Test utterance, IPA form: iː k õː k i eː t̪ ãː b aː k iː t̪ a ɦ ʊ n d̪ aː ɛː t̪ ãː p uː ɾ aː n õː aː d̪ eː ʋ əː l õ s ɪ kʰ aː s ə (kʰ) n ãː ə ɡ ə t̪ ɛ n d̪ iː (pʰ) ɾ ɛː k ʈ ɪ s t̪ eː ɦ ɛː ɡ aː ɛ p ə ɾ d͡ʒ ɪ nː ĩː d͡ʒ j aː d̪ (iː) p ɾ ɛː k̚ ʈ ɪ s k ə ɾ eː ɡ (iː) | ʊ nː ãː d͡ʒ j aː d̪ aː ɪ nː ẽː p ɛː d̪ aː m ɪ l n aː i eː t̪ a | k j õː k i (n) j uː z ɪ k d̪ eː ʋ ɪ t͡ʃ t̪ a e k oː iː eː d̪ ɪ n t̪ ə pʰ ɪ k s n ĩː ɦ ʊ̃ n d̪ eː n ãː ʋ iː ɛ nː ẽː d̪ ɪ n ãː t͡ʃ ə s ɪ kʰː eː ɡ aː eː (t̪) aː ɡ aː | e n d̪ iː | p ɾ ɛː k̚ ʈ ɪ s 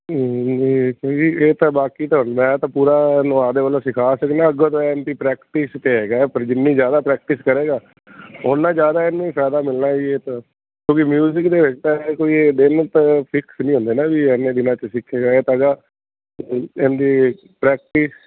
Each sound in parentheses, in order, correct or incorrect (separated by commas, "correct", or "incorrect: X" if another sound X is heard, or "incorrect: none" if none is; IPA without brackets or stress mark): incorrect: k, incorrect: p, incorrect: aː, incorrect: aː, incorrect: m, correct